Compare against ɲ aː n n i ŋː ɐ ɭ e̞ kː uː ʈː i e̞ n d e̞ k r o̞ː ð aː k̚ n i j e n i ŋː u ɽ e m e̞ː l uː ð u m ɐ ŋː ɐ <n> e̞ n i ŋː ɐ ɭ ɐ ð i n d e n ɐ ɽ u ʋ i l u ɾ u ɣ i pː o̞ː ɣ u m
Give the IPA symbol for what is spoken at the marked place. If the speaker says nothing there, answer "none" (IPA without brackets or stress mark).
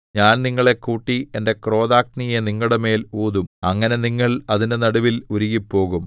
n